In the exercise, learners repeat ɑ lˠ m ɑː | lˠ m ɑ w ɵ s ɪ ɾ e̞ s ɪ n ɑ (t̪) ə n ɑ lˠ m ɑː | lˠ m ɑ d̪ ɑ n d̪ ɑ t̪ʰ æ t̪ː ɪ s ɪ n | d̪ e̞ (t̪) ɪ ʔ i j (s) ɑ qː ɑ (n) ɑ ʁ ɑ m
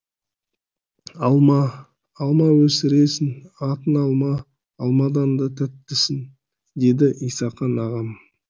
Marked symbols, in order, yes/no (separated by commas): yes, no, yes, yes